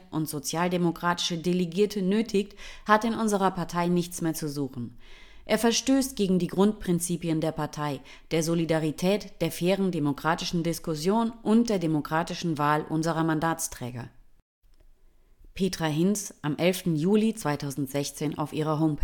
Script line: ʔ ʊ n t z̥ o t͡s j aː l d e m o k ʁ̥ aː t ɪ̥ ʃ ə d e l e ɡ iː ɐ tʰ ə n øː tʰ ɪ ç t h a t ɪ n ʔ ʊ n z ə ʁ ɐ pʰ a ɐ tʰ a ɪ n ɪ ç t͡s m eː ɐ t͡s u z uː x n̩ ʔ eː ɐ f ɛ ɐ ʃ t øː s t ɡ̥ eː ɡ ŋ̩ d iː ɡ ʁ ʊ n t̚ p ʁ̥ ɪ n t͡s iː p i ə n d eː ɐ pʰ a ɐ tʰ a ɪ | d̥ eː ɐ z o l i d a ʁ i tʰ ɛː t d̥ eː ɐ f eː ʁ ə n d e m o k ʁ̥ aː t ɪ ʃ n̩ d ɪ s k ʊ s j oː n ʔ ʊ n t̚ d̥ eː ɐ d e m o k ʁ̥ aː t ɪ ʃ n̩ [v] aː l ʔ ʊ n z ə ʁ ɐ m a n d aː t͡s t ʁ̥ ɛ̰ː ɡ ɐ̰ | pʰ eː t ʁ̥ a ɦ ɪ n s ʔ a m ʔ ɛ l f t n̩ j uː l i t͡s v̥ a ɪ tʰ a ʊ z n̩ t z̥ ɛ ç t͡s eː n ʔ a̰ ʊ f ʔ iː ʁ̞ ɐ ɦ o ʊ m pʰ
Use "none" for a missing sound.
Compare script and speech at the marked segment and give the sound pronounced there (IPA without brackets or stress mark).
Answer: v